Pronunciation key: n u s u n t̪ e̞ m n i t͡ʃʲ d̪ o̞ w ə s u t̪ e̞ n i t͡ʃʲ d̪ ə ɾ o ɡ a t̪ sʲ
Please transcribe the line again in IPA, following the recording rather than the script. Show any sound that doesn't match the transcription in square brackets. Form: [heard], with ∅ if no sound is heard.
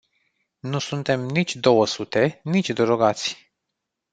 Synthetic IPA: n u s u n t̪ e̞ m n i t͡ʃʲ d̪ o̞ w ə s u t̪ e̞ n i t͡ʃʲ d̪ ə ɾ o ɡ a t̪ sʲ